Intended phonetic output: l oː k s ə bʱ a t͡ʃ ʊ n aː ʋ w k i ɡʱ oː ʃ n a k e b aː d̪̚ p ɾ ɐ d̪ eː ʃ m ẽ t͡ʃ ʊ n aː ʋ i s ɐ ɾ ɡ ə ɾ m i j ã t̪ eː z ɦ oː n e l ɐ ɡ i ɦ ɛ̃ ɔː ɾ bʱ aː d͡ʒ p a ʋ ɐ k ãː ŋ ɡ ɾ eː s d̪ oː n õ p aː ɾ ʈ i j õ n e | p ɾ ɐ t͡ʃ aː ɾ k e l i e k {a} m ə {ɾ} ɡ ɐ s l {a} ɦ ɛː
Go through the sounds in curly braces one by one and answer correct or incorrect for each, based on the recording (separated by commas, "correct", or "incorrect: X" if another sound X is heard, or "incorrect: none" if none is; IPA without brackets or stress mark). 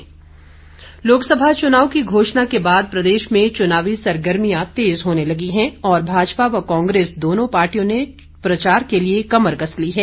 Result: incorrect: ɐ, correct, incorrect: i